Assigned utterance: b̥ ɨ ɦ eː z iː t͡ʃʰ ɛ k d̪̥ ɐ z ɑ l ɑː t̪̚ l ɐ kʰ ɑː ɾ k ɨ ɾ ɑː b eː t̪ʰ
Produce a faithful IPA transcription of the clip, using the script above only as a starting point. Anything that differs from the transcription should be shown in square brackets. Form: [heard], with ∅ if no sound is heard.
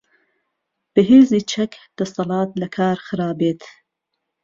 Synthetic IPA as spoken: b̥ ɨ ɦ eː z iː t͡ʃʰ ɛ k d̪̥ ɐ [s] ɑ l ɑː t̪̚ l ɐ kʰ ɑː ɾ [x] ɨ ɾ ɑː b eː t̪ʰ